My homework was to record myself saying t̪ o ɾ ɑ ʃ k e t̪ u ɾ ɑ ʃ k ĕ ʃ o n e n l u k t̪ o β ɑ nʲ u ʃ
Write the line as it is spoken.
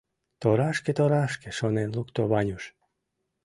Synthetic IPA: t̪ o ɾ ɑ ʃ k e t̪ o ɾ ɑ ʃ k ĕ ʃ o n e n l u k t̪ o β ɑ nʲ u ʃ